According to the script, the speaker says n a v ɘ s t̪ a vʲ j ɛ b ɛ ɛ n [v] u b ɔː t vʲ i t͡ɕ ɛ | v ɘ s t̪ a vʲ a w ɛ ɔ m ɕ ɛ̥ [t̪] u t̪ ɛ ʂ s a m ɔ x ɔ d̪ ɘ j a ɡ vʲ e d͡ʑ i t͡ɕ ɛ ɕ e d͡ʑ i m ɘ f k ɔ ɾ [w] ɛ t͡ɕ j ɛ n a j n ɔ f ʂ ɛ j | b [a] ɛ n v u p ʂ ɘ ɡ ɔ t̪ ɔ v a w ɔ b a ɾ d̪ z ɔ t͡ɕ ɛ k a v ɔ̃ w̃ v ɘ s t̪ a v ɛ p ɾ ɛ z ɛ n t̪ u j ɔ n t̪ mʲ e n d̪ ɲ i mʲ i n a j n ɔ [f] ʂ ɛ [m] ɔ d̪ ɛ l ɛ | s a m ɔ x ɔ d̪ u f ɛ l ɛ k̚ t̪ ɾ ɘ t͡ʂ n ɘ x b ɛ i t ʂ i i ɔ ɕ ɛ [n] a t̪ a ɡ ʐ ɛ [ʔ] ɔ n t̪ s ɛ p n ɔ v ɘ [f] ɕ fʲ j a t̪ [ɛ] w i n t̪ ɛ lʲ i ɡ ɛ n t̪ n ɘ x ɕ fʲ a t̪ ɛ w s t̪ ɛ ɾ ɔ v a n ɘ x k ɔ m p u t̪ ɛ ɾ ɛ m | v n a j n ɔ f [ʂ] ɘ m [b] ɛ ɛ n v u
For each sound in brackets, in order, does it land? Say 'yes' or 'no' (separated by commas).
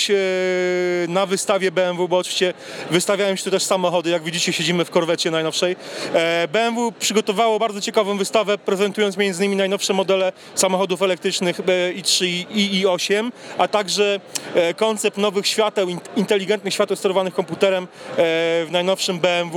yes, yes, no, no, yes, yes, no, no, no, yes, yes, yes